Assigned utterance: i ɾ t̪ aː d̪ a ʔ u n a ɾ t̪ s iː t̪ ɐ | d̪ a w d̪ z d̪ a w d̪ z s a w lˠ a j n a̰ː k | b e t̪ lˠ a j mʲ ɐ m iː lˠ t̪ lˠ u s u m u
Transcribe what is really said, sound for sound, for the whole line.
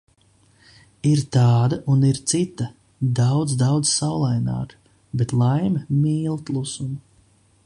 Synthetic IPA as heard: i ɾ t̪ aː d̪ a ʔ u n i ɾ t̪ s i t̪ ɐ | d̪ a w d̪ z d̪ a w d̪ z s a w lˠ a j n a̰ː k | b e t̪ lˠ a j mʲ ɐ m iː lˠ t̪ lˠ u s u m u